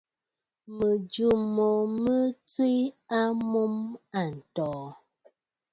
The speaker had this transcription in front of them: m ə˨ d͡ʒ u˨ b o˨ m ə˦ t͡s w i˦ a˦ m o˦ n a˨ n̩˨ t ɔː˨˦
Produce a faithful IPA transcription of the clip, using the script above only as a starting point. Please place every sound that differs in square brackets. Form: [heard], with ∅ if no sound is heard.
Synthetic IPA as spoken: m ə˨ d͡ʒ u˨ [m] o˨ m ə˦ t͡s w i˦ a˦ m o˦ [m] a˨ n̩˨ t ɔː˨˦